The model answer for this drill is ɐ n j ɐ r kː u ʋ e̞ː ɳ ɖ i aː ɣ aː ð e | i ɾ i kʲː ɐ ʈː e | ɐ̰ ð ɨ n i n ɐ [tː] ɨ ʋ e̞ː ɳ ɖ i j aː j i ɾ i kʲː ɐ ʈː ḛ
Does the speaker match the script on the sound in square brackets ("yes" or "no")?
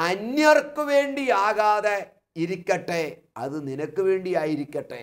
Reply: no